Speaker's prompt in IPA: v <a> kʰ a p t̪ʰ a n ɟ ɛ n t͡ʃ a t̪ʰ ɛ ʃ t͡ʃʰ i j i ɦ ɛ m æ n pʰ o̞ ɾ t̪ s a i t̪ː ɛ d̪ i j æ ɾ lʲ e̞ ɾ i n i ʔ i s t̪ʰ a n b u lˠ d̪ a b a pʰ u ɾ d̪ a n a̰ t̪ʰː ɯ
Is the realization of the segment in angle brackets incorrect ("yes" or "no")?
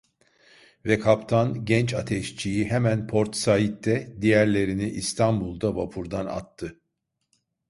yes